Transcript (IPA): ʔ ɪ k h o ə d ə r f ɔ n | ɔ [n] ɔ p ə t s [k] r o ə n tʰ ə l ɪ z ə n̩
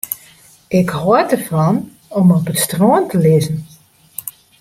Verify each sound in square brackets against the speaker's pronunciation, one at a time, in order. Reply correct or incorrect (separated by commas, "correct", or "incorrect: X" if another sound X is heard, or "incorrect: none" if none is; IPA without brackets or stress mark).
incorrect: m, incorrect: t